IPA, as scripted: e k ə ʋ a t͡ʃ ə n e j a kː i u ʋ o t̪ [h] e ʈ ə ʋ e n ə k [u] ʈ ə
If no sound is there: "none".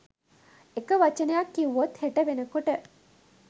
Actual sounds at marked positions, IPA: h, o

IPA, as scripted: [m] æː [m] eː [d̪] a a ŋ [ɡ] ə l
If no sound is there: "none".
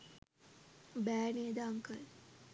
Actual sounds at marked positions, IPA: b, n, d̪, k

